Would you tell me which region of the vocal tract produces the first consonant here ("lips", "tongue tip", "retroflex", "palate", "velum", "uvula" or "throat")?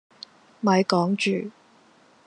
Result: lips